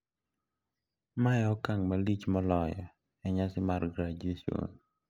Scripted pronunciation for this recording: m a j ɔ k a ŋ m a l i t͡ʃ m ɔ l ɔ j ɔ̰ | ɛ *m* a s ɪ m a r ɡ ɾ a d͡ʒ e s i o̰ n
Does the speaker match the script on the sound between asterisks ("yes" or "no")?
no